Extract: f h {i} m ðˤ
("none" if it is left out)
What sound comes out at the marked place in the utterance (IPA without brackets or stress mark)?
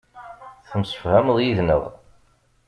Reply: æ